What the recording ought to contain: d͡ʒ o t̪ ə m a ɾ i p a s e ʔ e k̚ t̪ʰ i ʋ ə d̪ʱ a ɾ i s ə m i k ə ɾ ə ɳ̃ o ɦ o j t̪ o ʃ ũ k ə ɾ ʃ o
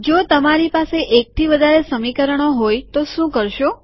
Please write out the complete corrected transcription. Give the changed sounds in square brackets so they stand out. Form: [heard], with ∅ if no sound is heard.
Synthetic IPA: d͡ʒ o t̪ ə m a ɾ i p a s e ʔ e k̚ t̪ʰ i ʋ ə d̪ʱ a ɾ [e] s ə m i k ə ɾ ə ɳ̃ o ɦ o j t̪ o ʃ ũ k ə ɾ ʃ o